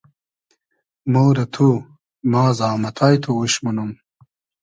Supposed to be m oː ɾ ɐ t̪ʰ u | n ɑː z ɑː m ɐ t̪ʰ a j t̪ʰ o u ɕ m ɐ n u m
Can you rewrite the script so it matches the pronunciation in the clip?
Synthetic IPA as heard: m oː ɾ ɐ t̪ʰ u | m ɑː z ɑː m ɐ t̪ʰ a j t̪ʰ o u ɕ m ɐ n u m